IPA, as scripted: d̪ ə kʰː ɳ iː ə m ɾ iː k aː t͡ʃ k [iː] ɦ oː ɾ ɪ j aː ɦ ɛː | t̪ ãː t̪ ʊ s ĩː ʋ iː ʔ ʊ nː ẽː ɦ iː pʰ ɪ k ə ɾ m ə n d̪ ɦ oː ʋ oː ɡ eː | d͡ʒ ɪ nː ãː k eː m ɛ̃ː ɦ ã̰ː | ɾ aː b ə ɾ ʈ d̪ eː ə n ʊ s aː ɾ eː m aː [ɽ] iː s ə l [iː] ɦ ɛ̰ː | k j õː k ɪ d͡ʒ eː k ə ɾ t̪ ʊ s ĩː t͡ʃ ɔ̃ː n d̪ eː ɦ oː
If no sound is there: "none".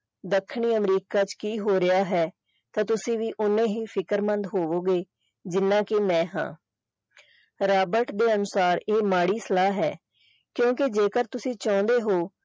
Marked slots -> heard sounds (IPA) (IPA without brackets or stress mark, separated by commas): iː, ɽ, aː